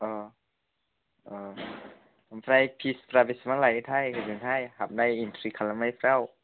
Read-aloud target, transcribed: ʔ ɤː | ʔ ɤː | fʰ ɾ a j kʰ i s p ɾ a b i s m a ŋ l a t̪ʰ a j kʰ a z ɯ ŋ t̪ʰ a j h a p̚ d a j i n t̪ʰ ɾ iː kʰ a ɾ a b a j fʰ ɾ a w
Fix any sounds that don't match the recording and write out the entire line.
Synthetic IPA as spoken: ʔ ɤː | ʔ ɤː | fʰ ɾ a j pʰ i s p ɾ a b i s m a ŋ l a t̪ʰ a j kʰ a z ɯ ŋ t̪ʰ a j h a p̚ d a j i n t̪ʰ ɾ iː kʰ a l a m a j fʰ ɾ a w